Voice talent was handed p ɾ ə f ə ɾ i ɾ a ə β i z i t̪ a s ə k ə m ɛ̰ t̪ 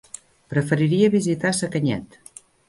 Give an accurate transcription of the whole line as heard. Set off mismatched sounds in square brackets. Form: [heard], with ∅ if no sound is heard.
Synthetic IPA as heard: p ɾ ə f ə ɾ i ɾ [i] ə β i z i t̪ a s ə k ə [ɲ] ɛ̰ t̪